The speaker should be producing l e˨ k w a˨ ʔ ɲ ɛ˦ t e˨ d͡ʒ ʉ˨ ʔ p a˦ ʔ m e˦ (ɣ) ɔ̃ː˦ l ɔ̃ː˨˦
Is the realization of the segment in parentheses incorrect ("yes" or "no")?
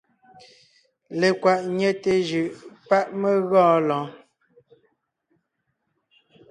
no